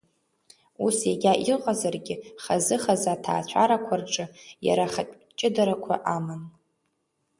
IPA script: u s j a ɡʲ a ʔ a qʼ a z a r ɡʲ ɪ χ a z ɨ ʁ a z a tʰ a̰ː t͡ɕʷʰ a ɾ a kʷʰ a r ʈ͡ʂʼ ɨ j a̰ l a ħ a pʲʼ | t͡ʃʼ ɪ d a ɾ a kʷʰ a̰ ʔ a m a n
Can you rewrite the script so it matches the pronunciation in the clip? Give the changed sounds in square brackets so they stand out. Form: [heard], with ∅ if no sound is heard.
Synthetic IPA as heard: u s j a ɡʲ a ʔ [i] qʼ a z a r ɡʲ ɪ χ a z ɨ [χ] a z a tʰ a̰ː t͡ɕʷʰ a ɾ a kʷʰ a r ʈ͡ʂʼ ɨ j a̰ [ɾ] a [χ] a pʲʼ | t͡ʃʼ ɪ d a ɾ a kʷʰ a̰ ʔ a m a n